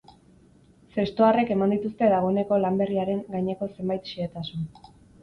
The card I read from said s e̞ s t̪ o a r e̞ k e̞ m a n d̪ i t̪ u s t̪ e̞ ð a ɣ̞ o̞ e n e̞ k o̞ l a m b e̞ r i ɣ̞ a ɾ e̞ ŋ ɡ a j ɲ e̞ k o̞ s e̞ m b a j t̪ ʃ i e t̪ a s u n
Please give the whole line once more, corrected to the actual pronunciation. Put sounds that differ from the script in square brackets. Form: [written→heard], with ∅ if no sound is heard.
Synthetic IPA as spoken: s e̞ s t̪ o a r e̞ k e̞ m a n d̪ i t̪ u s t̪ e̞ ð a ɣ̞ o̞ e n e̞ k o̞ l a m b e̞ r i [ɣ̞→∅] a ɾ e̞ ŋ ɡ a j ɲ e̞ k o̞ s e̞ m b a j t̪ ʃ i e t̪ a s u n